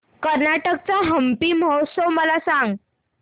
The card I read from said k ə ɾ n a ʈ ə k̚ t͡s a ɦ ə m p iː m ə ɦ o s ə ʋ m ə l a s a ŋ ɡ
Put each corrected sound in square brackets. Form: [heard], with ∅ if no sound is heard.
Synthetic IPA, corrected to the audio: k ə ɾ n a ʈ ə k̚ t͡s a ɦ ə m p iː m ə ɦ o s ə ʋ m ə l a s a ŋ ɡ